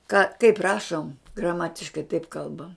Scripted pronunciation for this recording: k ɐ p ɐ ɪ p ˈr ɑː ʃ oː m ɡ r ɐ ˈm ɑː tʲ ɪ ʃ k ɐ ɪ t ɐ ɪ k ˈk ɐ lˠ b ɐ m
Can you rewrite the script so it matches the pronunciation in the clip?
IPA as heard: k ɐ k ɐ ɪ p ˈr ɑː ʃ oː m ɡ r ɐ ˈm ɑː tʲ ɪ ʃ k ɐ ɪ t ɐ ɪ p ˈk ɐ lˠ b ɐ m